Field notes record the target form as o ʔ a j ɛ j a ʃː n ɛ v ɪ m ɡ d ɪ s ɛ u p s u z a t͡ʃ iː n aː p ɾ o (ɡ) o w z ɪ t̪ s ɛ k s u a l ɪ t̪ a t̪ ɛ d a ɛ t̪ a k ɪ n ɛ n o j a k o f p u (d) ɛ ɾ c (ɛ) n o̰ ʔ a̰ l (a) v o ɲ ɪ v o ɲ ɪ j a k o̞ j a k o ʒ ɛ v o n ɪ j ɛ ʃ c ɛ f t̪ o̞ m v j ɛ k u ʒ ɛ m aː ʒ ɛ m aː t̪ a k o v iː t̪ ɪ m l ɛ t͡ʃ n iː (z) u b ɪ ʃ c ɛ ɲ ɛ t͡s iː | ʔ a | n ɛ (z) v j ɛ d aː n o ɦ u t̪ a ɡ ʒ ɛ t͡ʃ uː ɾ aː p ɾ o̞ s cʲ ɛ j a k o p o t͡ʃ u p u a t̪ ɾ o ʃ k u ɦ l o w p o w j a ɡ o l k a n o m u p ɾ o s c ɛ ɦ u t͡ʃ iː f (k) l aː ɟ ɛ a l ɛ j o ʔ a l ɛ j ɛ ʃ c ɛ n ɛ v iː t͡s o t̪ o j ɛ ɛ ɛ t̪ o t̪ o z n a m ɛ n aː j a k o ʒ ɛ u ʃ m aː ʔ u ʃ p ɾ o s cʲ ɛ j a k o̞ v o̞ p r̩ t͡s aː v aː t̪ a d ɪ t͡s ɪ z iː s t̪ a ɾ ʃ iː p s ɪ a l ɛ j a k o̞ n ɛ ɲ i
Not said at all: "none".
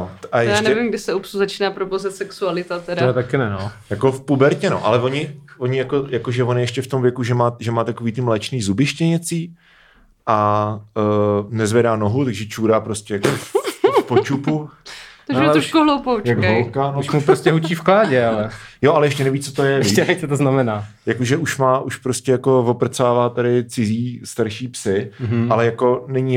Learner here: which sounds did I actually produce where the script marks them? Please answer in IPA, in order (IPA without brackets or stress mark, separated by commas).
b, b, ɛ, ɛ, z, z, k